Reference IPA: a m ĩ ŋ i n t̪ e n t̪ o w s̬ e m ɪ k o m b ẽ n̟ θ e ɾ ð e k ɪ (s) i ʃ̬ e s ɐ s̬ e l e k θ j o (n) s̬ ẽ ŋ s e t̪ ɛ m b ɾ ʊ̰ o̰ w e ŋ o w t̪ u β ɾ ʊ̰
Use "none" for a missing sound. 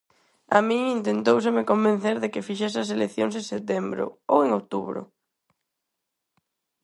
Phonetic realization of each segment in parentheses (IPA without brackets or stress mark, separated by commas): f, ŋ